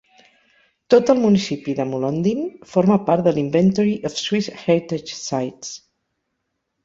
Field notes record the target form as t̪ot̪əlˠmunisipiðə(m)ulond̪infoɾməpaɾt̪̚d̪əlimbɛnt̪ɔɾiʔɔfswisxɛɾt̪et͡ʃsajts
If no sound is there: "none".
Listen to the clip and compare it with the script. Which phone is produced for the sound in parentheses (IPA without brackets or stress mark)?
m